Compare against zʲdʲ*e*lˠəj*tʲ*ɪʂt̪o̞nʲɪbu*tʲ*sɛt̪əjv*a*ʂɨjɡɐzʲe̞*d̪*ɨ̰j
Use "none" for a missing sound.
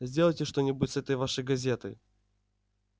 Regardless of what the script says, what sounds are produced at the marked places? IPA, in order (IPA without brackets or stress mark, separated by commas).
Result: e, tʲ, tʲ, a, t̪